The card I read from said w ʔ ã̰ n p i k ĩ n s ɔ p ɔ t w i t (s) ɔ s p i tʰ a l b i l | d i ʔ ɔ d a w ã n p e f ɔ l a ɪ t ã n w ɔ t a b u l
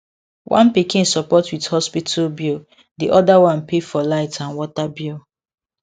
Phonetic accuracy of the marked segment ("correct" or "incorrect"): incorrect